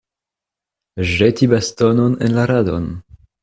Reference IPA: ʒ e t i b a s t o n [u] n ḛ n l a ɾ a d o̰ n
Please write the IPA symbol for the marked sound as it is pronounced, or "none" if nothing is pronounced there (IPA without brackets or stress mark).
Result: o